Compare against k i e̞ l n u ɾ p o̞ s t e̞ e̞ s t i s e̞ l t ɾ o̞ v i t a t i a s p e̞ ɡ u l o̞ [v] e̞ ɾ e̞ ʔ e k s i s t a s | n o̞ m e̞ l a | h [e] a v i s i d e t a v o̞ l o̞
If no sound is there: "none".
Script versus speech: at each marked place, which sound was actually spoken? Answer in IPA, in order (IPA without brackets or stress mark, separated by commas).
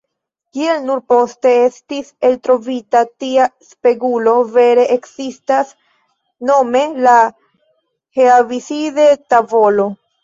v, e